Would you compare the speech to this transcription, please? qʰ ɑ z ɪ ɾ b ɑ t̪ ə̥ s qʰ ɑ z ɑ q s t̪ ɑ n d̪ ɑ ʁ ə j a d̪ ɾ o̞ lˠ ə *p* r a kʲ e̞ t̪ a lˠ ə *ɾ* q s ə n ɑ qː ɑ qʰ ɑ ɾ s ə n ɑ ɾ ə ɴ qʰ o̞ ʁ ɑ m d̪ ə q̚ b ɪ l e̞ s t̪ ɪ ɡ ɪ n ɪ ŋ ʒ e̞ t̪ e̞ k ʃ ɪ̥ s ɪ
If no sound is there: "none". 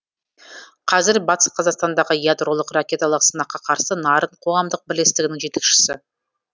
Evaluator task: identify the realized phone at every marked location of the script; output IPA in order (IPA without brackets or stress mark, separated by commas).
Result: q, none